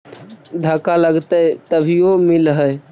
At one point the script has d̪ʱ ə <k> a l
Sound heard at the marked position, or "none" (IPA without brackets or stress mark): k